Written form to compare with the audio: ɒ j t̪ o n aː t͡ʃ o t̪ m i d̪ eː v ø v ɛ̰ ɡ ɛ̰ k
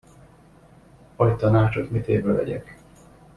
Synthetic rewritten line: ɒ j t̪ ɒ n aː t͡ʃ o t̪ m i t̪ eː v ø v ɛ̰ ɟ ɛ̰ k